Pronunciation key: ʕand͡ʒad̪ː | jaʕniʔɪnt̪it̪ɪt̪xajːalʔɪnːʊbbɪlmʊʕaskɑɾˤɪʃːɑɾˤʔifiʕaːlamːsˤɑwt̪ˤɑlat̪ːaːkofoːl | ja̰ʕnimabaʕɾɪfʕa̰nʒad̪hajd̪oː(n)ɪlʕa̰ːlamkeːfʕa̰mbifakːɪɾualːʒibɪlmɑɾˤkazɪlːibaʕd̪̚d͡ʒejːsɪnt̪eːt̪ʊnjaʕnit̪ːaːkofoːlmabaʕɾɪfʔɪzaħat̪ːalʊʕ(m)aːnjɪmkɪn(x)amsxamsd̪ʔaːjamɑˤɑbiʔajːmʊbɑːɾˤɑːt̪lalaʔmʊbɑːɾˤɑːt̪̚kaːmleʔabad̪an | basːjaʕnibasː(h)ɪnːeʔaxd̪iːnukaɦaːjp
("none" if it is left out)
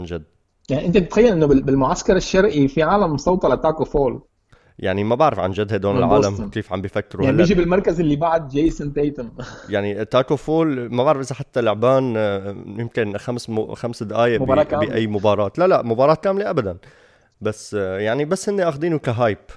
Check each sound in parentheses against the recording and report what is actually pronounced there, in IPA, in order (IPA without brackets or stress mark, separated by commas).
n, b, x, h